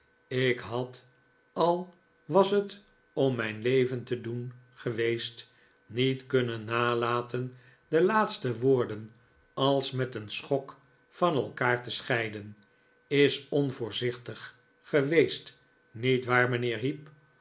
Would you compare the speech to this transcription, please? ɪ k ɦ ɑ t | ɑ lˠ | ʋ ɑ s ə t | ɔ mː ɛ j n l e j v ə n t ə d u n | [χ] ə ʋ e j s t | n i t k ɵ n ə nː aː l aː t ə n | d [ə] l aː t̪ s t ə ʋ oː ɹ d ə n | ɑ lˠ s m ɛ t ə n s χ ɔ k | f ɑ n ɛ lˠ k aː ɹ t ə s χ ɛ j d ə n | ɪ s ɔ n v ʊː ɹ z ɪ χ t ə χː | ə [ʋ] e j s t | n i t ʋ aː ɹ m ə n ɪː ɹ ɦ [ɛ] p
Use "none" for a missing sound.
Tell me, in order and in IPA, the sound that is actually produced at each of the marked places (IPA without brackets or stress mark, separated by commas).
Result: χ, ə, ʋ, i